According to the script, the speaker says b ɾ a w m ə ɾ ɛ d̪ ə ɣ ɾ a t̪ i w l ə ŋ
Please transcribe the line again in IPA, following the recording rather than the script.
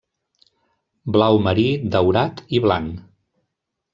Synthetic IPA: b l a w m ə ɾ i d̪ ə w ɾ a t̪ i β l a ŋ